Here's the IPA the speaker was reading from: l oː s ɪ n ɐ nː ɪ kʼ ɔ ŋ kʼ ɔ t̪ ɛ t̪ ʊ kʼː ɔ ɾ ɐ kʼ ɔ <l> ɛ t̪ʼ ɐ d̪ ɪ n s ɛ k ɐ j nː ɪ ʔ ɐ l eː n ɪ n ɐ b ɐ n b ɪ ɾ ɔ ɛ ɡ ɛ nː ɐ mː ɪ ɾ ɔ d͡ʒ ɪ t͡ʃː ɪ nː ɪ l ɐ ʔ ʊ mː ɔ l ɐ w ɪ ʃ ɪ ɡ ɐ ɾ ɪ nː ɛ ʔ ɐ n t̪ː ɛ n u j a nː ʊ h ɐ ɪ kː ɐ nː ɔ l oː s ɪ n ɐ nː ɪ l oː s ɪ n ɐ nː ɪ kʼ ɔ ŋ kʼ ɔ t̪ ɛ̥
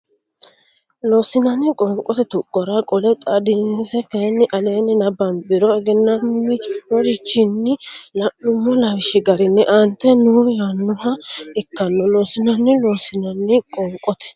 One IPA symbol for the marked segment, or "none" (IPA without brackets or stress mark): l